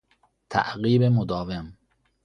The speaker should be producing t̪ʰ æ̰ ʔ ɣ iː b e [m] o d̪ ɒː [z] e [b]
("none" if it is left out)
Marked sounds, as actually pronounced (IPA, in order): m, v, m

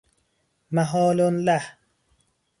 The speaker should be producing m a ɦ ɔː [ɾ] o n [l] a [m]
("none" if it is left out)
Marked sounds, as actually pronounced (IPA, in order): l, l, none

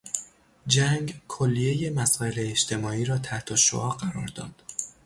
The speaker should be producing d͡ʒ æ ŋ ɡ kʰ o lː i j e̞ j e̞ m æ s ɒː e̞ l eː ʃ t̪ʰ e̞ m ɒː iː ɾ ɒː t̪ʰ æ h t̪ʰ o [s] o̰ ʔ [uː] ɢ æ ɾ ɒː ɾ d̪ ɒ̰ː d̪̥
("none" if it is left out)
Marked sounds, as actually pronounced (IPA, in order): ʃ, ɒː

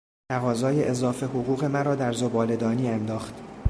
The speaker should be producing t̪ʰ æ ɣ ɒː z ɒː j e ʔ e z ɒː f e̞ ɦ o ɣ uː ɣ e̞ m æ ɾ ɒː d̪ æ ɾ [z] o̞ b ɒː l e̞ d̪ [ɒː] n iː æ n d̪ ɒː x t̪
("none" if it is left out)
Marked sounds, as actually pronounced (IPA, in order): z, ɒː

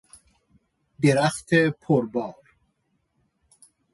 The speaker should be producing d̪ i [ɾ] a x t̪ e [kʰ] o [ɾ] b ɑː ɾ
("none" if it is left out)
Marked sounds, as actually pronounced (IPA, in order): ɾ, pʰ, ɾ

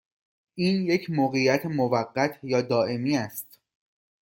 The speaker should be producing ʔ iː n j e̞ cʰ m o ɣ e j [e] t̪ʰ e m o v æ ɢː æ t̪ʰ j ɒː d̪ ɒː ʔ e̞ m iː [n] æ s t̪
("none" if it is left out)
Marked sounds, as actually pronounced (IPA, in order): æ, none

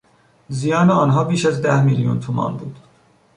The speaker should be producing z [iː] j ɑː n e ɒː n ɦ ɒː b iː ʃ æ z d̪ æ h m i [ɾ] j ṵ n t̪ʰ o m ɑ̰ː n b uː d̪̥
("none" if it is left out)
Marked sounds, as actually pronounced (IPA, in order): i, l

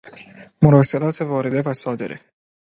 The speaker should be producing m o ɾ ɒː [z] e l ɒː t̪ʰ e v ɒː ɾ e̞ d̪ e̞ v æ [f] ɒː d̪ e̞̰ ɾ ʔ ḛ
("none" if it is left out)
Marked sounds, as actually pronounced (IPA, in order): s, s

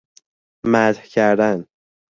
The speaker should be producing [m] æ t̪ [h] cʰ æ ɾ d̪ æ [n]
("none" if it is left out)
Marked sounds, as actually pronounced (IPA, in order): m, h, n

